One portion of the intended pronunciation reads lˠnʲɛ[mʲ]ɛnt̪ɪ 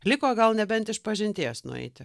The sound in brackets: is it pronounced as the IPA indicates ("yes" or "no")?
no